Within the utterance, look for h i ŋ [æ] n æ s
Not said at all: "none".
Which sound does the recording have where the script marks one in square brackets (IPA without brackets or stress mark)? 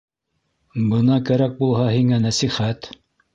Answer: æ